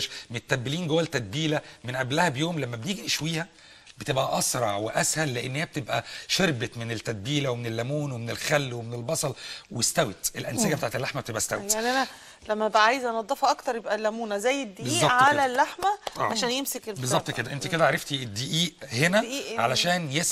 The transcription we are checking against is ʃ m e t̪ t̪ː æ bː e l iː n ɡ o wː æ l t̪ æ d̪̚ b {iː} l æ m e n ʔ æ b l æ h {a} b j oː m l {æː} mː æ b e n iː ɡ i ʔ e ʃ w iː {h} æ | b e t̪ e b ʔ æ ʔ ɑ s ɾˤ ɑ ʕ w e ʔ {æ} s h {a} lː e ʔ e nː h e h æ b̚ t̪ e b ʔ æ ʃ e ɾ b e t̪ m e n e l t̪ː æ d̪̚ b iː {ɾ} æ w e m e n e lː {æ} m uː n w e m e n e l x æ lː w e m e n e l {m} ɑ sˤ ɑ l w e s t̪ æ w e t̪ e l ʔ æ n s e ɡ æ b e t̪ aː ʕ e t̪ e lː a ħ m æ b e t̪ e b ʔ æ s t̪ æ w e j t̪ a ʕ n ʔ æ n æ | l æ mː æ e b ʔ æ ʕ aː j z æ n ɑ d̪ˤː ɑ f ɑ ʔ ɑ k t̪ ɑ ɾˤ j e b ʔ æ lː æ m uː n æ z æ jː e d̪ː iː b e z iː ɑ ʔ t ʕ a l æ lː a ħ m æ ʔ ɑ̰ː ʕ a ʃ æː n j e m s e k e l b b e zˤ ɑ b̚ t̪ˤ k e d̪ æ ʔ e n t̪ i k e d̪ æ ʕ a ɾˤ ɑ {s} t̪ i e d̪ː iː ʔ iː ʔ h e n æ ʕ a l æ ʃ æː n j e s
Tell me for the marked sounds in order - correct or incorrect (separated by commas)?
correct, incorrect, incorrect, correct, correct, incorrect, incorrect, correct, incorrect, incorrect